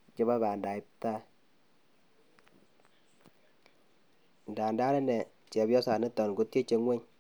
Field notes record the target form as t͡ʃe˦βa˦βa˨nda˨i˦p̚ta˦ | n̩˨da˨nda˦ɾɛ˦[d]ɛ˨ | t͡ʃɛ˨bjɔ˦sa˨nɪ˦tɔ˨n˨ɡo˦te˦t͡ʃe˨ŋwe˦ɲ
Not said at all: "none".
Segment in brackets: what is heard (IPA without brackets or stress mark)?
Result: n